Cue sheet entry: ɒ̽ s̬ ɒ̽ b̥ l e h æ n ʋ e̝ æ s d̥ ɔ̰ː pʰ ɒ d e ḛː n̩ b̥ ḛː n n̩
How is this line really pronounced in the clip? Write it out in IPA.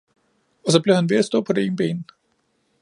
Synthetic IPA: ɒ̽ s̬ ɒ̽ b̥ l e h æ n ʋ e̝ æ s d̥ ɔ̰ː pʰ ɒ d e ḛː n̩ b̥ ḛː n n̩